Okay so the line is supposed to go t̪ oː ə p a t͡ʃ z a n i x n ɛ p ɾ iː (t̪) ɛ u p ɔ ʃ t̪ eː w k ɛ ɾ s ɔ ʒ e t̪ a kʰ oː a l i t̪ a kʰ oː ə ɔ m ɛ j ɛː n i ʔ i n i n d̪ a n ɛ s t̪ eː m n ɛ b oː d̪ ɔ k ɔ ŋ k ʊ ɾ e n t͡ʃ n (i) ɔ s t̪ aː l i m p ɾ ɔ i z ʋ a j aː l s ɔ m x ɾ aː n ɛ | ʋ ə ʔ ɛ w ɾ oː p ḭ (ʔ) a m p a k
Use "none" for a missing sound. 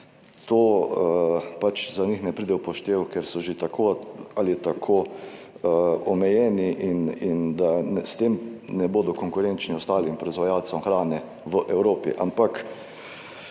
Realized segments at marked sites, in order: d̪, i, ʔ

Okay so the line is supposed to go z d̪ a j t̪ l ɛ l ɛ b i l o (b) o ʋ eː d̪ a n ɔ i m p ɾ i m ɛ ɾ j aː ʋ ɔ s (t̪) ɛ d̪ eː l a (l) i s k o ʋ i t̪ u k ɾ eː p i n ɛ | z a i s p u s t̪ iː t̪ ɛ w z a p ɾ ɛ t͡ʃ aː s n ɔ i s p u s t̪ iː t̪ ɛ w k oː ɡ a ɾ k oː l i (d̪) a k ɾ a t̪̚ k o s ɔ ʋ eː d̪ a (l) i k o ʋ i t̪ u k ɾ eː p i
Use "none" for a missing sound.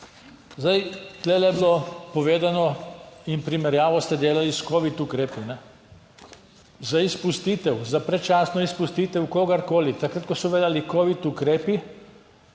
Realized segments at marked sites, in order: p, t̪, l, t̪, l

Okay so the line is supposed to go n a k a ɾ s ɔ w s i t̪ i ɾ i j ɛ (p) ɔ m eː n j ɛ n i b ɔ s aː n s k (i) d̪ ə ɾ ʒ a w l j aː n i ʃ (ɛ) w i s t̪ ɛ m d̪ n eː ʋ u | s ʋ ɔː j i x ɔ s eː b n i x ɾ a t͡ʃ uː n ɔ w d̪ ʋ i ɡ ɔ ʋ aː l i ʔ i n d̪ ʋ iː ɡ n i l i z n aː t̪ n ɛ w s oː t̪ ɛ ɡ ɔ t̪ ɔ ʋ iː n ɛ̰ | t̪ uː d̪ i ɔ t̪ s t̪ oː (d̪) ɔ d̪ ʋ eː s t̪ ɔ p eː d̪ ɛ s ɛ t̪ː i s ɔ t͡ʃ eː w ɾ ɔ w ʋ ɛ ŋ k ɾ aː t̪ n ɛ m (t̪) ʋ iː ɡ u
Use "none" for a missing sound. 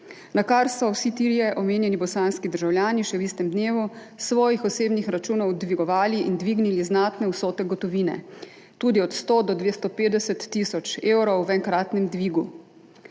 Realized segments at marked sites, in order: ʔ, i, ɛ, d̪, d̪

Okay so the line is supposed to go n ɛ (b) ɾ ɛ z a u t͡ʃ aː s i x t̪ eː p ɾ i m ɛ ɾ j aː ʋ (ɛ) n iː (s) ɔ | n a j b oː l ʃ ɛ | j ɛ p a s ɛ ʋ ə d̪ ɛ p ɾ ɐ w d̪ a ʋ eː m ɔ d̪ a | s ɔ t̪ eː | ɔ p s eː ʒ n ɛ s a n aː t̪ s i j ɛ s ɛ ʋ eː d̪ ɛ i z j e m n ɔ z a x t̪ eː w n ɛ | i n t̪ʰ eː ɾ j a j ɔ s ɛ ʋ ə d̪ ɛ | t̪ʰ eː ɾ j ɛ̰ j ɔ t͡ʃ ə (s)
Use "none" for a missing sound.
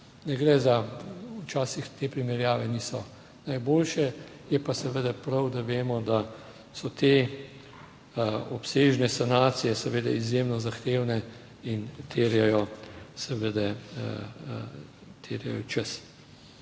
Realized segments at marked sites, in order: ɡ, ɛ, s, s

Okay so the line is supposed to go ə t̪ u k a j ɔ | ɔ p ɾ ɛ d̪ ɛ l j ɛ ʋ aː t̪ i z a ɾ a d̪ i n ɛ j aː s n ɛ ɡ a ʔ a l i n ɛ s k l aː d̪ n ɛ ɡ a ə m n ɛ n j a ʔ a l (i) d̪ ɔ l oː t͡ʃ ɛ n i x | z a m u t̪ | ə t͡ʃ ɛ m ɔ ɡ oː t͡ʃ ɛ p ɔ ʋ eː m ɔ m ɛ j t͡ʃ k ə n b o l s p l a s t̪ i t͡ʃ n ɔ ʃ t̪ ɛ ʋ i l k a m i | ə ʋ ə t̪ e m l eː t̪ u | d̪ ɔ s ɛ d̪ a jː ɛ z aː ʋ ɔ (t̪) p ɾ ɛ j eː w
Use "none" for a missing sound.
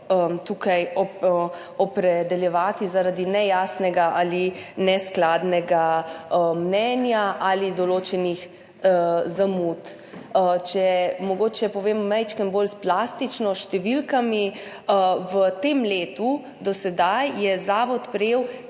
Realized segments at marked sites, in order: i, t̪

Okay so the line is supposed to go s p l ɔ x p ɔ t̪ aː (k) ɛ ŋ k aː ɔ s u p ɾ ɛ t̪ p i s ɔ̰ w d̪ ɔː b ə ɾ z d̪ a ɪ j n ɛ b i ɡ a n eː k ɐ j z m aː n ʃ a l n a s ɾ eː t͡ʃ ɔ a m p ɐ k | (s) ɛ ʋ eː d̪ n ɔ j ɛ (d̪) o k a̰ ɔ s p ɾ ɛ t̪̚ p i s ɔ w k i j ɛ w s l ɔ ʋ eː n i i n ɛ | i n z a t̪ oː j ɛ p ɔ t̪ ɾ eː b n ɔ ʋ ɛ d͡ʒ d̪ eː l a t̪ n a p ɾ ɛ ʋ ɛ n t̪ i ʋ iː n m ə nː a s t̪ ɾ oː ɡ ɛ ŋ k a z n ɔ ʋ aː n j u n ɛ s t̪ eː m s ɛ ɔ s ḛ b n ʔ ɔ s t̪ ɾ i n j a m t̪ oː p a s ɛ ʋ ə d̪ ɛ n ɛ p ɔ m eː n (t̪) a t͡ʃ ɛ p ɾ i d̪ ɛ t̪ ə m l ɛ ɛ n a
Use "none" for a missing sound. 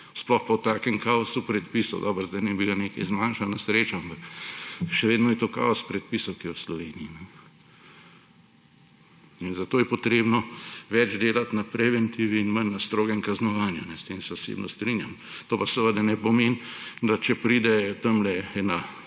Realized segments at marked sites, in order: k, ʃ, t̪, d̪

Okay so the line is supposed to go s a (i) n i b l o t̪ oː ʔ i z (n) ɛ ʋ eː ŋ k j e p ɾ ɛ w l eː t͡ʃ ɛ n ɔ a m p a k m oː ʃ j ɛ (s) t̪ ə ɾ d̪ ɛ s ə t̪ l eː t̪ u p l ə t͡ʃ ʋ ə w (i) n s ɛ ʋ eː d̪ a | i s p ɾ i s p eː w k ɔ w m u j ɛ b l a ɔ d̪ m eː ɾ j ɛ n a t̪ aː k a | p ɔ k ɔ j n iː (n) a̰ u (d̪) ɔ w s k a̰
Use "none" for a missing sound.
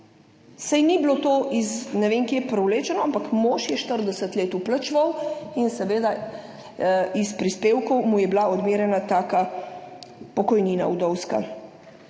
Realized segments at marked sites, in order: j, n, ʃ, i, n, d̪

